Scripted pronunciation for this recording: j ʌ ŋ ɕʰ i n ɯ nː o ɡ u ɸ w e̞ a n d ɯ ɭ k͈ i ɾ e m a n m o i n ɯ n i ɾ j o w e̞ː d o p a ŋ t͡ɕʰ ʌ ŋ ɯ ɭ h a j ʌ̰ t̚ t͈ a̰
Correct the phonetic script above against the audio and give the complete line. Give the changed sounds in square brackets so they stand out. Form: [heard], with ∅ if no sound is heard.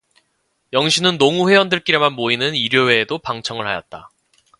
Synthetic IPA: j ʌ ŋ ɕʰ i n ɯ nː o [ŋ] u ɸ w e̞ [ʌ] n d ɯ ɭ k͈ i ɾ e m a n m o i n ɯ n i ɾ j o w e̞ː d o p a ŋ t͡ɕʰ ʌ ŋ ɯ ɭ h a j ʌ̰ t̚ t͈ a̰